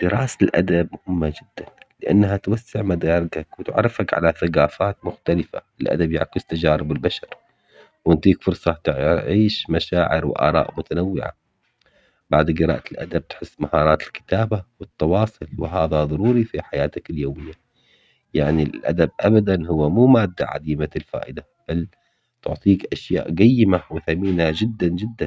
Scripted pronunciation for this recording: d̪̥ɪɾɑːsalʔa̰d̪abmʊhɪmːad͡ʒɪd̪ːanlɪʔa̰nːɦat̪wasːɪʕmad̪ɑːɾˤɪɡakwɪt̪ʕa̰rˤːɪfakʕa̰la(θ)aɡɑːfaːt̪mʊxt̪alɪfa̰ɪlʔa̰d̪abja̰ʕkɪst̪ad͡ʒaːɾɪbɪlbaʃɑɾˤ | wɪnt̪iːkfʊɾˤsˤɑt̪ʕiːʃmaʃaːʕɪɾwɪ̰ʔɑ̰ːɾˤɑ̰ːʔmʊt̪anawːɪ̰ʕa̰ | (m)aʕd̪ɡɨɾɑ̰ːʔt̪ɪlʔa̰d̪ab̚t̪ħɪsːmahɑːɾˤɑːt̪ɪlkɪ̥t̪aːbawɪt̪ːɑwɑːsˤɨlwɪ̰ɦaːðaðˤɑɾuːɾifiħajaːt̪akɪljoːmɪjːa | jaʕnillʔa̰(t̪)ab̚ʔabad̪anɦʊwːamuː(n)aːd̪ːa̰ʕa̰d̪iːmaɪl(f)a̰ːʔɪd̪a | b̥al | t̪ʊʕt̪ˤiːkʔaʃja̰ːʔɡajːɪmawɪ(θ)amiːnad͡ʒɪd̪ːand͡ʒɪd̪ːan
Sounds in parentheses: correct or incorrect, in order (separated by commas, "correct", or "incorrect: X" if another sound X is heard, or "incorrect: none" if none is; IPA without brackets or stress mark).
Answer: correct, incorrect: b, incorrect: d̪, incorrect: m, correct, correct